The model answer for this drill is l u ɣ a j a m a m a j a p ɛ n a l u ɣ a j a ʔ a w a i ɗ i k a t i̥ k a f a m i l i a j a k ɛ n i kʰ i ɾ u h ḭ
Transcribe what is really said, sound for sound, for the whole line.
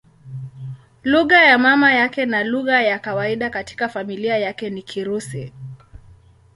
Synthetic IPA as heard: l u ɣ a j a m a m a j a k ɛ n a l u ɣ a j a k a w a i ɗ a k a t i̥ k a f a m i l i a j a k ɛ n i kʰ i ɾ u s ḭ